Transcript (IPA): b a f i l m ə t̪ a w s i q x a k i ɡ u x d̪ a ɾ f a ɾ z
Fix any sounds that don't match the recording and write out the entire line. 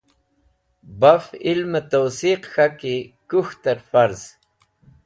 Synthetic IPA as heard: b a f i l m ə t̪ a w s i q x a k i k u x t̪ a ɾ f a ɾ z